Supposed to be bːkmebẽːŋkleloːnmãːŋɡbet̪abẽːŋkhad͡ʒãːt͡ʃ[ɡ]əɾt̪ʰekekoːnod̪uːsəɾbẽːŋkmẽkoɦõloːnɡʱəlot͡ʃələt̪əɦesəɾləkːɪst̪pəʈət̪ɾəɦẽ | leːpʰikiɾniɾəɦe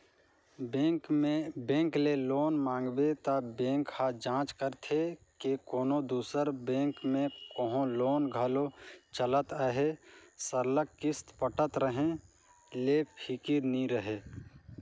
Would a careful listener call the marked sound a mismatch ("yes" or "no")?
yes